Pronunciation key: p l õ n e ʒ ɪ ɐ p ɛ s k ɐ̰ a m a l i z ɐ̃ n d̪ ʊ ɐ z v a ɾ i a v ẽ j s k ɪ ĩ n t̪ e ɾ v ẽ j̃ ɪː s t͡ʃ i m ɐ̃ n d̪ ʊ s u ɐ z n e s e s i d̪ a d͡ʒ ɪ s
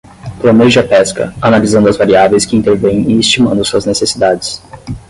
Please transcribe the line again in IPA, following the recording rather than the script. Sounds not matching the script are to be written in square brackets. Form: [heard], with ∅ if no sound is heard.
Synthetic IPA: p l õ n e ʒ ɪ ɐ p ɛ s k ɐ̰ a [n] a l i z ɐ̃ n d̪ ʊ ɐ z v a ɾ i a v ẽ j s k ɪ ĩ n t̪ e ɾ v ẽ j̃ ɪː s t͡ʃ i m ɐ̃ n d̪ ʊ s u ɐ z n e s e s i d̪ a d͡ʒ ɪ s